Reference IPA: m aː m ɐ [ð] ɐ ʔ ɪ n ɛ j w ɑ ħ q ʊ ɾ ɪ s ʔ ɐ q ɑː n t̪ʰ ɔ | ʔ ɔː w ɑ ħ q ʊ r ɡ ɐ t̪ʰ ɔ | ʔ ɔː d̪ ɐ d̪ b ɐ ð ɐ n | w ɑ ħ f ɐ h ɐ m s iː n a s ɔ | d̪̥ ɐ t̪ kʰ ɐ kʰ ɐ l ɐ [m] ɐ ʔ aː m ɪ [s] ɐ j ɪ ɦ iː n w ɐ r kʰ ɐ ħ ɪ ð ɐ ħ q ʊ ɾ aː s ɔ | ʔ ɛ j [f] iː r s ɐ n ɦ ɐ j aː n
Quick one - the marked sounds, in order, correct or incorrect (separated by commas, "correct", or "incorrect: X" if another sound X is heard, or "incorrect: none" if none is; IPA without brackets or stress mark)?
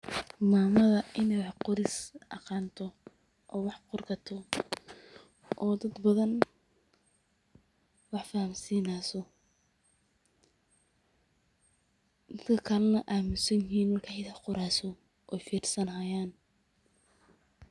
correct, incorrect: n, correct, correct